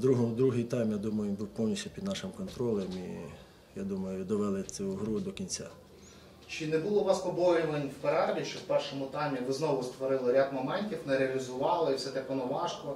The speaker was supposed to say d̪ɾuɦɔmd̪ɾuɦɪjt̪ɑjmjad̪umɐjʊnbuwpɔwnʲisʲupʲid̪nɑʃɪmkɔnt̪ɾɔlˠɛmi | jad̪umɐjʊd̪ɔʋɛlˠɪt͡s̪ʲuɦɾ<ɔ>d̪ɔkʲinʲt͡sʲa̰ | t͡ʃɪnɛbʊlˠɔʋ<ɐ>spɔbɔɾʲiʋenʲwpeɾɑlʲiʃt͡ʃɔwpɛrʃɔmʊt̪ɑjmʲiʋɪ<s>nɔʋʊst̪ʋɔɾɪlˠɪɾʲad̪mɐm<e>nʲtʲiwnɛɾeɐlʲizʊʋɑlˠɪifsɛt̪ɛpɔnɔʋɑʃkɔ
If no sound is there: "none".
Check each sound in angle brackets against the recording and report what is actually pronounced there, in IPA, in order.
u, ɑ, z, ɛ

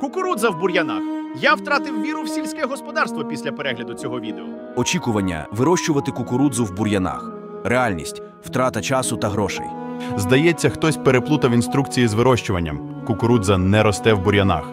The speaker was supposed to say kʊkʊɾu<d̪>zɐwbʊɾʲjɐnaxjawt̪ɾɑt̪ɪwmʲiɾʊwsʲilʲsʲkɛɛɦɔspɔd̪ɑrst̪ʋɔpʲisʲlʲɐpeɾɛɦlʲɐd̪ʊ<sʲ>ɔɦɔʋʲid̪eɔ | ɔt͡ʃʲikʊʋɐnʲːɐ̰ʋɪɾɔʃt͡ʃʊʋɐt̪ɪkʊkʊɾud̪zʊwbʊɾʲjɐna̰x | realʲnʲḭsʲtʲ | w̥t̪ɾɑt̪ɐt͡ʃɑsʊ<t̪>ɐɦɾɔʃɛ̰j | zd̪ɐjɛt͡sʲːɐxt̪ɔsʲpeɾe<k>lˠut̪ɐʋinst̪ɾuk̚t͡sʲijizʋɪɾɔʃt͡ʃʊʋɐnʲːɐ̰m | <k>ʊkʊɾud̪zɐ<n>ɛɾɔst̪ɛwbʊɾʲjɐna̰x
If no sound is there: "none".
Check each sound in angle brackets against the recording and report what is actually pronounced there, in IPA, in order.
d̪, t͡sʲ, t̪, p, k, n

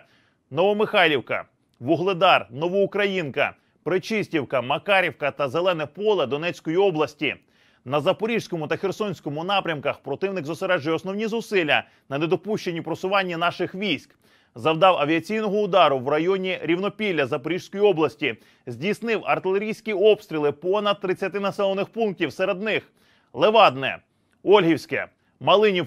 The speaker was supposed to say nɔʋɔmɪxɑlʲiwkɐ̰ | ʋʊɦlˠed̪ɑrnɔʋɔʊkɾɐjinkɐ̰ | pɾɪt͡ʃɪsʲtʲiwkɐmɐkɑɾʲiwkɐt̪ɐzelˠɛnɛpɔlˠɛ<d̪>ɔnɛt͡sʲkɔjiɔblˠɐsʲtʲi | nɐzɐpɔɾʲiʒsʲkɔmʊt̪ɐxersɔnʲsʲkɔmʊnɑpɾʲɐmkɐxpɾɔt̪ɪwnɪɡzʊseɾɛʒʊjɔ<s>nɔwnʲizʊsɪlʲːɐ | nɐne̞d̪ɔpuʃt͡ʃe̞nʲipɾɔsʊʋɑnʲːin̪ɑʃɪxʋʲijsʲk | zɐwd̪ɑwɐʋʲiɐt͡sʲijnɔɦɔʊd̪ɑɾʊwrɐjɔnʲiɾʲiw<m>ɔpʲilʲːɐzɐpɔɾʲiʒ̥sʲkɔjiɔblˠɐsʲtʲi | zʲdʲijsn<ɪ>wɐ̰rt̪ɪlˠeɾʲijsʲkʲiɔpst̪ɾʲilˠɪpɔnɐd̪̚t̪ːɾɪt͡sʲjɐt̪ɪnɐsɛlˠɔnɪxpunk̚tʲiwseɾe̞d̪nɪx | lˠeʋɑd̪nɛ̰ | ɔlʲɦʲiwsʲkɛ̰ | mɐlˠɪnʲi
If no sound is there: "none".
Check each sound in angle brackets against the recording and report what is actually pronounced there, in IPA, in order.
d̪, s, n, ɪ

